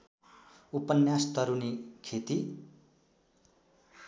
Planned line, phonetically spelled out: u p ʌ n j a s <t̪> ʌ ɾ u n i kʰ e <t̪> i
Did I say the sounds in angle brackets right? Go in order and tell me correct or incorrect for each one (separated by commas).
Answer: correct, correct